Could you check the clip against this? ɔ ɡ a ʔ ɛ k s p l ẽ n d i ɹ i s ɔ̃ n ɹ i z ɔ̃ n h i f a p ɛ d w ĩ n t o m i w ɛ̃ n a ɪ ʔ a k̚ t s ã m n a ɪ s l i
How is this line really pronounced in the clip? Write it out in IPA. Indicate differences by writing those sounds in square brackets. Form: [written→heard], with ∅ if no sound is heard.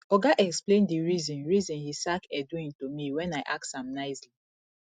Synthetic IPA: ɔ ɡ a ʔ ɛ k s p l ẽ n d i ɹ i [s→z] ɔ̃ n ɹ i z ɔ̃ n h i [f→s] a [p→k] ɛ d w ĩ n t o m i w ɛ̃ n a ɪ ʔ a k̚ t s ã m n a ɪ s l i